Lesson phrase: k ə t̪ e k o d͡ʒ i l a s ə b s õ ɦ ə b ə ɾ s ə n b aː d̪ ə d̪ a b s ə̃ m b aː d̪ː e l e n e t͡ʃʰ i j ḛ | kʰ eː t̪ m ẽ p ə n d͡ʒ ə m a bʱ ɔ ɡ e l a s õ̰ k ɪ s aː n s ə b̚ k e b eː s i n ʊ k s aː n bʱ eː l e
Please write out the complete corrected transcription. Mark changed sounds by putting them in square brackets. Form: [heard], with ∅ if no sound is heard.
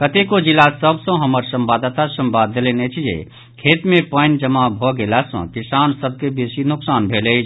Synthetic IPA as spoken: k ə t̪ e k o d͡ʒ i l a s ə b s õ ɦ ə [m] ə ɾ s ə [m] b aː d̪ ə [t̪] a [∅] s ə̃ m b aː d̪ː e l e n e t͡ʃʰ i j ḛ | kʰ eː t̪ m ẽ p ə n d͡ʒ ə m a bʱ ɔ ɡ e l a s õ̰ k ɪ s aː n s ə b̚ k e b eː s i n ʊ k s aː n bʱ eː l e